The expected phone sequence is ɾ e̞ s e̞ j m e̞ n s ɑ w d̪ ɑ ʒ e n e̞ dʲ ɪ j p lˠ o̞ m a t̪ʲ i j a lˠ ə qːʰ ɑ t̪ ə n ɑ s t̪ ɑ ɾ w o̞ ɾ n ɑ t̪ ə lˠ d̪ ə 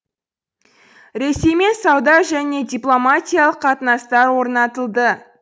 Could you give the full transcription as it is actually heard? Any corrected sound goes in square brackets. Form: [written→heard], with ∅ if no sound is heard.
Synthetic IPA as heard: ɾ e̞ s e̞ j m e̞ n s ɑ w d̪ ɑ ʒ [e→æ] n e̞ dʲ [ɪ→i] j p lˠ o̞ m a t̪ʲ i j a lˠ ə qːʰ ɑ t̪ ə n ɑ s t̪ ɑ ɾ w o̞ ɾ n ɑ t̪ ə lˠ d̪ ə